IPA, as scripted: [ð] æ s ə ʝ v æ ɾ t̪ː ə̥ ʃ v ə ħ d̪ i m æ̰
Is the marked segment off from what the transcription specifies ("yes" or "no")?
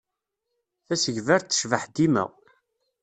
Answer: yes